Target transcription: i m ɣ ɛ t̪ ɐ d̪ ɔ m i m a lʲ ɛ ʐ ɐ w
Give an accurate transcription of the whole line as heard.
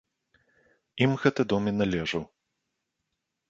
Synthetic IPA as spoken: i m ɣ ɛ t̪ ɐ d̪ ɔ m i n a lʲ ɛ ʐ ɐ w